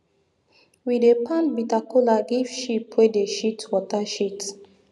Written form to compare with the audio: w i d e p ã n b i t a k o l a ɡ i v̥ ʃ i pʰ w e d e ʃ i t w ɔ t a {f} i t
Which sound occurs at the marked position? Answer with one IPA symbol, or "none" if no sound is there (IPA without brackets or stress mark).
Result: ʃ